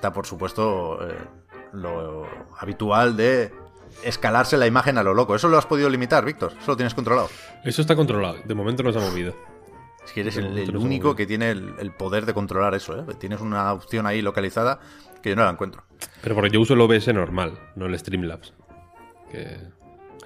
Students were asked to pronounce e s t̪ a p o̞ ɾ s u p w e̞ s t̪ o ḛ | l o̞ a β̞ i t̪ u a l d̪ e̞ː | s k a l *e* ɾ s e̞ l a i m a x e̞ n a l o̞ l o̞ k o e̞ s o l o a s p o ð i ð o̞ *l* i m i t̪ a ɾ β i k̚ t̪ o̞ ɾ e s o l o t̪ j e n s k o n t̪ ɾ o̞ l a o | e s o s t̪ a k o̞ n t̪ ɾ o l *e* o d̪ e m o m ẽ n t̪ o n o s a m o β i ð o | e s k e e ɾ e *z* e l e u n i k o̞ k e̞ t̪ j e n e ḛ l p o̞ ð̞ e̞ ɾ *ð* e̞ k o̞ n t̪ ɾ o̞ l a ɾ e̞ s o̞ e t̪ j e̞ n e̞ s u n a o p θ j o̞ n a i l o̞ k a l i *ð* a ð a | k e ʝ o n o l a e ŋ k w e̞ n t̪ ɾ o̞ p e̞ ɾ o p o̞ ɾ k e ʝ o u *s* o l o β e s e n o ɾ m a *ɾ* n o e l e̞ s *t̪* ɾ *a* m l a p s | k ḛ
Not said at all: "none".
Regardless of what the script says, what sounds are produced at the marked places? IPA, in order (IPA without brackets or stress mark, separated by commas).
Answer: a, l, a, s, ð, θ, s, l, t̪, i